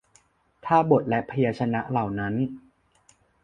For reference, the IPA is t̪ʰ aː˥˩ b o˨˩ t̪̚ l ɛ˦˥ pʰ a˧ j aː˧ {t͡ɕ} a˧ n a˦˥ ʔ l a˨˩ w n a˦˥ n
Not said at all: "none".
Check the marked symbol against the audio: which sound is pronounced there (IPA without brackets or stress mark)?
t͡ɕʰ